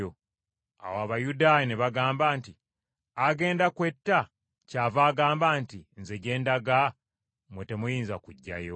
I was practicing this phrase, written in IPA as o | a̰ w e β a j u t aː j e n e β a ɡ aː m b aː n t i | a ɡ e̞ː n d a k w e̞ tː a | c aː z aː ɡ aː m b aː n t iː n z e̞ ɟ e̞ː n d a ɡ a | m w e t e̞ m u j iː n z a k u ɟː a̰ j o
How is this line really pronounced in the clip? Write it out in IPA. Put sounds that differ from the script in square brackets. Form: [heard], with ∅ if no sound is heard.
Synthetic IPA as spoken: o | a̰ w [a] β a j u [d] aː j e n e β a ɡ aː m b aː n t i | a ɡ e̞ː n d a k w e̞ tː a | c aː [v] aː ɡ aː m b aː n t [i] n z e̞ ɟ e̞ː n d a ɡ a | m w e t e̞ m u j iː n z a k u ɟː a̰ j o